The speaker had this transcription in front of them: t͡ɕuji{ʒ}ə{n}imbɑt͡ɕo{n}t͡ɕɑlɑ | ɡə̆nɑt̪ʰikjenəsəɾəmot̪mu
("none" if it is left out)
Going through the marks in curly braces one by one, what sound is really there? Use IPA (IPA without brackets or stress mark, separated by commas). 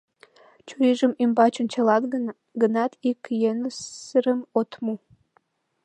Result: ʒ, m, n